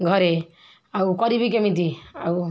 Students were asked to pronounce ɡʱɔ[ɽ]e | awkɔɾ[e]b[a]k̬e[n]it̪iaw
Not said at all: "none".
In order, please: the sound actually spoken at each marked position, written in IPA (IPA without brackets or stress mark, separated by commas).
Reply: ɾ, i, i, m